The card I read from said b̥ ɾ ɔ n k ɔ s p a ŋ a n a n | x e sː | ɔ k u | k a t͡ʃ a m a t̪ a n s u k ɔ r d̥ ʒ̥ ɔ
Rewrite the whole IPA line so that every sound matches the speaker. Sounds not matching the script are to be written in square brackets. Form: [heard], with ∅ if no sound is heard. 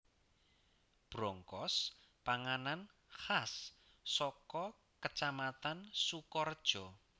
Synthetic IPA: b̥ ɾ ɔ [ŋ] k ɔ s p a ŋ a n a n | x [a] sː | ɔ k [ɔ] | k [ə] t͡ʃ a m a t̪ a n s u k ɔ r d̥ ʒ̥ ɔ

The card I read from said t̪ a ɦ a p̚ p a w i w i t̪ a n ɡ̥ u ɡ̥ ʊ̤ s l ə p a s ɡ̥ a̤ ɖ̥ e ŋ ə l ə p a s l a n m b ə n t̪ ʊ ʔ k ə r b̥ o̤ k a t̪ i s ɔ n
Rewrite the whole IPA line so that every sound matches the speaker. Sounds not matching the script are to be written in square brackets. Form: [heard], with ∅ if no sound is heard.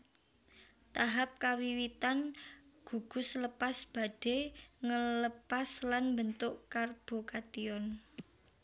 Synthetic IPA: t̪ a ɦ a p̚ [k] a w i w i t̪ a n ɡ̥ u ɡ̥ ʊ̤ s l ə p a s [b̥] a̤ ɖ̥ e ŋ ə l ə p a s l a n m b ə n t̪ ʊ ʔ k [a] r b̥ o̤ k a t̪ i [∅] ɔ n

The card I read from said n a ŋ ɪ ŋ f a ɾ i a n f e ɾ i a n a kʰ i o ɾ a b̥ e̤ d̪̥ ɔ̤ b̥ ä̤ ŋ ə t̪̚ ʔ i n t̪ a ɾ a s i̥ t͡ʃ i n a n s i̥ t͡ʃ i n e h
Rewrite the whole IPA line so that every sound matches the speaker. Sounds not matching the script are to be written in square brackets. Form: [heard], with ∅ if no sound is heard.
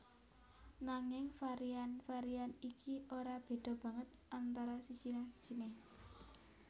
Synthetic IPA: n a ŋ ɪ ŋ f a ɾ i a n f [a] ɾ i a n [i] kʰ i o ɾ a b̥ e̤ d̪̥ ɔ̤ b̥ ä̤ ŋ ə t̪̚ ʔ [a] n t̪ a ɾ a s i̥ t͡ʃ i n a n s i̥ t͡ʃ i n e h

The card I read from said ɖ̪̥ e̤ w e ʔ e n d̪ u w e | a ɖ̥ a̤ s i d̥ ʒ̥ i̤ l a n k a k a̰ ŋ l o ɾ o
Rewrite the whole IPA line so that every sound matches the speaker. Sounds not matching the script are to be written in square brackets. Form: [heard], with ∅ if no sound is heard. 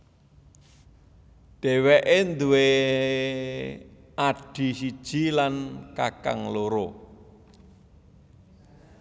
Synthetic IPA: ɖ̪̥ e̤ w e ʔ e n d̪ u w e | a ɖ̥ [i̤] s i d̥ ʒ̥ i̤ l a n k a k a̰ ŋ l o ɾ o

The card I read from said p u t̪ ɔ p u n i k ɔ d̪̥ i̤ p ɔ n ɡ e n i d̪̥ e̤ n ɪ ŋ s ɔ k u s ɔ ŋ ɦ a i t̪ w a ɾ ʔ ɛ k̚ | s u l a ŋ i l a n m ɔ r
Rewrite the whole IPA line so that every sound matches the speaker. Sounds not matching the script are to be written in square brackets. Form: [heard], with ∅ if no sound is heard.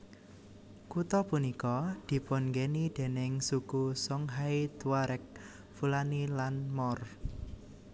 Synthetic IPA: [k] u t̪ ɔ p u n i k ɔ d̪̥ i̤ p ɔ n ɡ e n i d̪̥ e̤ n ɪ ŋ s [u] k u s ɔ ŋ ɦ a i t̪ w a ɾ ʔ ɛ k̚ | [f] u l a [n] i l a n m ɔ r

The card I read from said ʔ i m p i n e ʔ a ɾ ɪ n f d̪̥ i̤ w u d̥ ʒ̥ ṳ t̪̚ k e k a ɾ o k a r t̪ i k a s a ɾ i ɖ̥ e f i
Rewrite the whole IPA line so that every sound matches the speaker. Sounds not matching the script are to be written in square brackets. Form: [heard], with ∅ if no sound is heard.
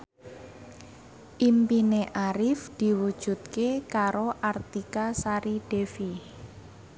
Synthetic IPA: ʔ i m p i n e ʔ a ɾ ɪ [∅] f d̪̥ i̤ w u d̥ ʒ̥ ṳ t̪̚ k e k a ɾ o [ʔ] a r t̪ i k a s a ɾ i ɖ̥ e f i

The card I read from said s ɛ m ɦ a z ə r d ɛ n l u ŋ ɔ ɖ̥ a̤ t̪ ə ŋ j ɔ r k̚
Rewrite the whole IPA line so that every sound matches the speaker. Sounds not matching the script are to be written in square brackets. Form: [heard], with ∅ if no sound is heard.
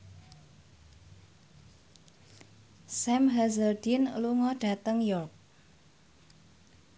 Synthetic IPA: s ɛ m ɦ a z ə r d [i] n l u ŋ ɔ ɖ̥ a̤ t̪ ə ŋ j ɔ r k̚

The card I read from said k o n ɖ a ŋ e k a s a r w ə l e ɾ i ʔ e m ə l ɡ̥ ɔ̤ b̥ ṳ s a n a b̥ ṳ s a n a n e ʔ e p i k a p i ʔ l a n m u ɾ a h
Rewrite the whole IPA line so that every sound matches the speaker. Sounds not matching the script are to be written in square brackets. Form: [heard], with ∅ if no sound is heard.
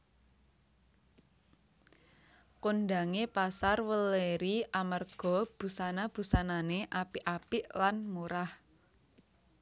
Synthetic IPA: k o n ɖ a ŋ e [p] a s a r w ə l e ɾ i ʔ [a] m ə [r] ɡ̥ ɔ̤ b̥ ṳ s a n a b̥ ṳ s a n a n e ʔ [a] p i [ʔ] a p i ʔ l a n m u ɾ a h

